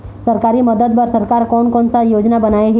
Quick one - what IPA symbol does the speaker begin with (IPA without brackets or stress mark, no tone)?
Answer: s